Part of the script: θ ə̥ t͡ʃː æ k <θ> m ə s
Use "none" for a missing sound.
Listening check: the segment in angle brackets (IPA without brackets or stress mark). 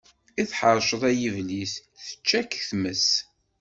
θ